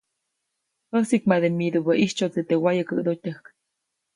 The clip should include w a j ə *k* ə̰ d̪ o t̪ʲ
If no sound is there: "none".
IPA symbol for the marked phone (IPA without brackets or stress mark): k